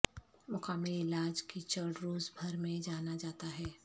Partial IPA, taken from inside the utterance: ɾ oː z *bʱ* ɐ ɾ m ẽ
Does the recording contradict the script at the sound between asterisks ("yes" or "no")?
no